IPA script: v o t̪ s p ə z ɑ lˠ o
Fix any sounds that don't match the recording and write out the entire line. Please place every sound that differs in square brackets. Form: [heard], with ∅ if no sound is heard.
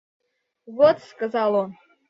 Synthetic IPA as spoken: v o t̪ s [k] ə z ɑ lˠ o